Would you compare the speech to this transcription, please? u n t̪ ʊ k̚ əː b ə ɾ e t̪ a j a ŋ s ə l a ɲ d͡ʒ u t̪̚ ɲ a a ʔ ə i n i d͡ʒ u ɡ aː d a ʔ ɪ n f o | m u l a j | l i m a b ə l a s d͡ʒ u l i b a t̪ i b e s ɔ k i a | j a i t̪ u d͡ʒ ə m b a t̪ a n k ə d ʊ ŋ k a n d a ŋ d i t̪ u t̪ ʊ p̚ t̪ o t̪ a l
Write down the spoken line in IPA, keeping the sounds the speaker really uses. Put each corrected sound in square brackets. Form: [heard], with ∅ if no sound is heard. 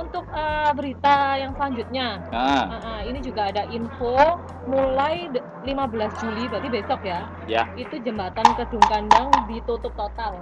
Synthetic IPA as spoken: u n t̪ ʊ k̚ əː b ə ɾ [i] t̪ a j a ŋ s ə l a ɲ d͡ʒ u t̪̚ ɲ a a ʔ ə i n i d͡ʒ u ɡ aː d a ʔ [i] n f o | m u l a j | l i m a b ə l a s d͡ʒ u l i b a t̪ i b e s ɔ k [j] a | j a i t̪ u d͡ʒ ə m b a t̪ a n k ə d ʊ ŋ k a n d a ŋ d i t̪ u t̪ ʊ p̚ t̪ o t̪ a l